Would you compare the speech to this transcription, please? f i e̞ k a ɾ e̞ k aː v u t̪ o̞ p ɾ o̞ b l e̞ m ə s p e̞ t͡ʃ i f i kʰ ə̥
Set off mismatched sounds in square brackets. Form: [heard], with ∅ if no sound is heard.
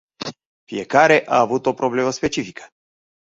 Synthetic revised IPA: f i e̞ k a ɾ e̞ [ʔ] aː v u t̪ o̞ p ɾ o̞ b l e̞ m ə s p e̞ t͡ʃ i f i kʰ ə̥